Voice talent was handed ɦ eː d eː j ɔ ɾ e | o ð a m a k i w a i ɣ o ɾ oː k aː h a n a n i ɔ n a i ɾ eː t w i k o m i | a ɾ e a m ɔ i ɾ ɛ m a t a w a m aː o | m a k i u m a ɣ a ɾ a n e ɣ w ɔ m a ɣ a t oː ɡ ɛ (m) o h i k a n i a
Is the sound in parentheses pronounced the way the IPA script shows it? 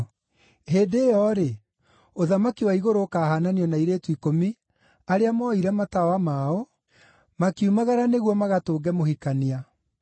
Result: yes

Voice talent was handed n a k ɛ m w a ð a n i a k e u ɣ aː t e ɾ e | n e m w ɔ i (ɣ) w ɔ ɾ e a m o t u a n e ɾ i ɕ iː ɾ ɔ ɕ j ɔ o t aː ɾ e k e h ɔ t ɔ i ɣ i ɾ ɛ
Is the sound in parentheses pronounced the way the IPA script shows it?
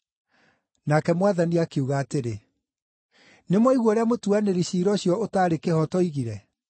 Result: yes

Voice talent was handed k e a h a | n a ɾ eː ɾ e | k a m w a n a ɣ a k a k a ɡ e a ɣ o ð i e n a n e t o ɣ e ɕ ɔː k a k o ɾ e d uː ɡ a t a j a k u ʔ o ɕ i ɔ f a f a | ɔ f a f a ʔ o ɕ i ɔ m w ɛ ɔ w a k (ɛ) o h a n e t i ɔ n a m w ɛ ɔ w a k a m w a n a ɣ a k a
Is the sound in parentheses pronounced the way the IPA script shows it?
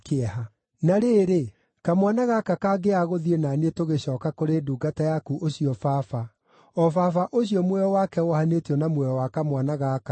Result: yes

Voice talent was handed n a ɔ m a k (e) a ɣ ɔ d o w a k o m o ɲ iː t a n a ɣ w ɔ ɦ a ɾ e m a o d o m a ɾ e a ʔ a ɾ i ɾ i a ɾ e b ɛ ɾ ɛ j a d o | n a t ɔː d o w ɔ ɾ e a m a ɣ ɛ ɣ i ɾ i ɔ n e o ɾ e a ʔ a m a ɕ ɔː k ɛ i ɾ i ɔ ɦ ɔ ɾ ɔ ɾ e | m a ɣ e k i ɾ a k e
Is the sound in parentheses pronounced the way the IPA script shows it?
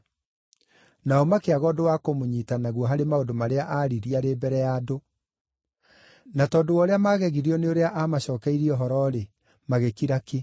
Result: yes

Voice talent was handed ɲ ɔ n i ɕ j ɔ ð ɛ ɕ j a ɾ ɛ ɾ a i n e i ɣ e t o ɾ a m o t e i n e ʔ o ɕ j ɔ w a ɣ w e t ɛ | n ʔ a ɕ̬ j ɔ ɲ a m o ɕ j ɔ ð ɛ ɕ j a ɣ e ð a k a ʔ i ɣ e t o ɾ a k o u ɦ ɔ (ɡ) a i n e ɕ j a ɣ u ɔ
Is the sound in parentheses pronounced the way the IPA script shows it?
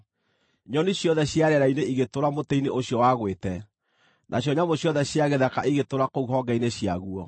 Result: yes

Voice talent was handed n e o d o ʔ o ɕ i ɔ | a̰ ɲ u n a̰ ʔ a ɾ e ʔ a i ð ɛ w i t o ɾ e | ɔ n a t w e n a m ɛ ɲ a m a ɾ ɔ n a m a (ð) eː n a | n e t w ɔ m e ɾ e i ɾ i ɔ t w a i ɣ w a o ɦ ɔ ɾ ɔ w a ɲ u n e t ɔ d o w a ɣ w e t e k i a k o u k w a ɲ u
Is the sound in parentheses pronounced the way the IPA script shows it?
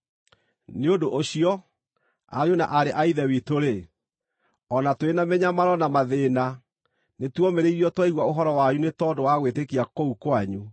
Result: yes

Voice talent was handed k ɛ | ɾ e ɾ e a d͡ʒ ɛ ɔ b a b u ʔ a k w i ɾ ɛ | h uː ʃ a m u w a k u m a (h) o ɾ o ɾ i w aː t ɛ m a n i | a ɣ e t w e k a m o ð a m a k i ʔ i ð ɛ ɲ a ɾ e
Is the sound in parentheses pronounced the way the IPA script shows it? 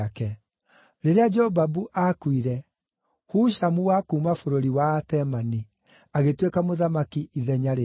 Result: no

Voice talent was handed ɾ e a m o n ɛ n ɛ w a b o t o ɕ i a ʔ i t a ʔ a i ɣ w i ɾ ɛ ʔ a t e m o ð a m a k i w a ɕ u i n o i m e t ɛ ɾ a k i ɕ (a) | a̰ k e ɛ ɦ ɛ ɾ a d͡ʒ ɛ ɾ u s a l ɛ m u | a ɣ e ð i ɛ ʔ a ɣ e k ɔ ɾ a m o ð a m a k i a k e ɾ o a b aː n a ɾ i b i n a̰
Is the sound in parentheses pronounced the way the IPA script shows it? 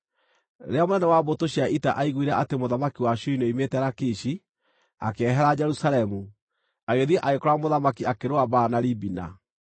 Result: no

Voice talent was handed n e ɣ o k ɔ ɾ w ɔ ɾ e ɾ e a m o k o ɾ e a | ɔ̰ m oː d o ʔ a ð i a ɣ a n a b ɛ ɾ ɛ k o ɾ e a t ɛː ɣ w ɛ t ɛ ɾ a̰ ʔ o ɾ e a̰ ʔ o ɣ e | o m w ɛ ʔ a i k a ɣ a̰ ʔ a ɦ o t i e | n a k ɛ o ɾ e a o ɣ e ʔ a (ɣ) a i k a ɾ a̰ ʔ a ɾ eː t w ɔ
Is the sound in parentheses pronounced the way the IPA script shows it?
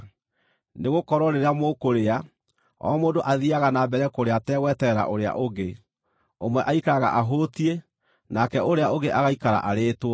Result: yes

